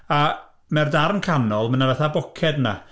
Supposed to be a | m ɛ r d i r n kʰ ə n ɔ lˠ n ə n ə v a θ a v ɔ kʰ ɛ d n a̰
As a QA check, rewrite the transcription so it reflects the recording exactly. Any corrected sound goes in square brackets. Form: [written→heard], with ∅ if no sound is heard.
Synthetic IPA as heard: a | m ɛ r d [i→a] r n kʰ [ə→a] n ɔ lˠ [n→m] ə n [ə→a] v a θ a [v→b] ɔ kʰ ɛ d n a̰